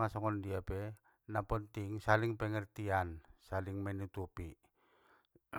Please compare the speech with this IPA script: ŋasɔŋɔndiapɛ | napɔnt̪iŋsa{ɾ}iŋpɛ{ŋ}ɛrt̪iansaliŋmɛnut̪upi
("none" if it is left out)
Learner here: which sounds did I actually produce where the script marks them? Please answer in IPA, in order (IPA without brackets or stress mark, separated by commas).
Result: l, ŋ